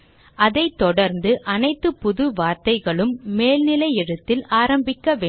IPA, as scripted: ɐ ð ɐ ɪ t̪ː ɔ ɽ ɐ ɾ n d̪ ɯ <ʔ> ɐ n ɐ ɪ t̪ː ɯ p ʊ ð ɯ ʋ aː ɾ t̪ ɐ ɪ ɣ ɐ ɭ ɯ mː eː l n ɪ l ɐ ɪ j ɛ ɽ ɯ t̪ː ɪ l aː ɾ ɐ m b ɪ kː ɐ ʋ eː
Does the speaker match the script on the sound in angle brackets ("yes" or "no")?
yes